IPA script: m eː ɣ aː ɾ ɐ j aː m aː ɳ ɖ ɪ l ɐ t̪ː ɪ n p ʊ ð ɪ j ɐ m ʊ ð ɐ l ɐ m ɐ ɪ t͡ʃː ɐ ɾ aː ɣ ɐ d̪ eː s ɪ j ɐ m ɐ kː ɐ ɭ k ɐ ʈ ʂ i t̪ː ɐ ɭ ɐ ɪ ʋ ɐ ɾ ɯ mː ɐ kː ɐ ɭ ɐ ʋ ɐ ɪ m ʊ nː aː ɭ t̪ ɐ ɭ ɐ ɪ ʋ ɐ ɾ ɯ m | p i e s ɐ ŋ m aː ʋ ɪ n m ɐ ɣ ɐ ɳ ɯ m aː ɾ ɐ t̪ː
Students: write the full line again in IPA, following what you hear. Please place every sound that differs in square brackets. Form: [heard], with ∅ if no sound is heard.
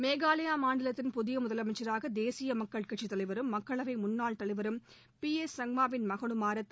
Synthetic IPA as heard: m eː ɣ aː [l] ɐ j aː m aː ɳ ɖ ɪ l ɐ t̪ː ɪ n p ʊ ð ɪ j ɐ m ʊ ð ɐ l ɐ m ɐ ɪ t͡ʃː ɐ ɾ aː ɣ ɐ d̪ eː s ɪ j ɐ m ɐ kː ɐ ɭ k ɐ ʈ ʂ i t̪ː ɐ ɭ ɐ ɪ ʋ ɐ ɾ ɯ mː ɐ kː ɐ ɭ ɐ ʋ ɐ ɪ m ʊ nː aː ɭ t̪ ɐ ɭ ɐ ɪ ʋ ɐ ɾ ɯ m | p i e s ɐ ŋ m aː ʋ ɪ n m ɐ ɣ ɐ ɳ ɯ m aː ɾ ɐ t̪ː